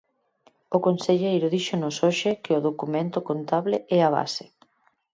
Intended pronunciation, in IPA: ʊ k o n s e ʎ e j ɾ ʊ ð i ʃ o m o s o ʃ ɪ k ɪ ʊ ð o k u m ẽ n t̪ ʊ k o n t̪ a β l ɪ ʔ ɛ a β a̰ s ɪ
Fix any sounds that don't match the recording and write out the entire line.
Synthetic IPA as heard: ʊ k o n s e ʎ e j ɾ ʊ ð i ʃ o n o s o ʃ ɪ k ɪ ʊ ð o k u m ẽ n t̪ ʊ k o n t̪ a β l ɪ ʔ ɛ a β a̰ s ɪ